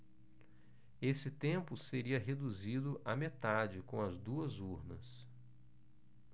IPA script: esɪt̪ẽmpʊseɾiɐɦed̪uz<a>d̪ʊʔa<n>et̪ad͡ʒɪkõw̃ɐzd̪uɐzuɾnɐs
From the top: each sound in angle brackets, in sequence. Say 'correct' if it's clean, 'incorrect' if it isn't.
incorrect, incorrect

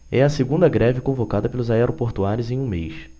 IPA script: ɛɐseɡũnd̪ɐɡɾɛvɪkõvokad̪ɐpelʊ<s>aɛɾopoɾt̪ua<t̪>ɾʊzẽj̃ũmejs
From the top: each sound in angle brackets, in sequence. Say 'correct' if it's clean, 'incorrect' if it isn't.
incorrect, incorrect

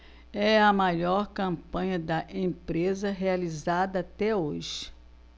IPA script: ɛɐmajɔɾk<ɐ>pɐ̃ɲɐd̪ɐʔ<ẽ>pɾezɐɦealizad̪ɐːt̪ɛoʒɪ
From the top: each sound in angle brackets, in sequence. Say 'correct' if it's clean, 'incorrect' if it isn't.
incorrect, correct

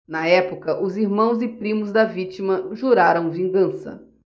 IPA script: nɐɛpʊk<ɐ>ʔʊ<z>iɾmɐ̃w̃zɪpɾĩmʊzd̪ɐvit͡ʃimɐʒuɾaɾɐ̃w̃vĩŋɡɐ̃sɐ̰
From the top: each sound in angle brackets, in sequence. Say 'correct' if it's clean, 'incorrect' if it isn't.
correct, correct

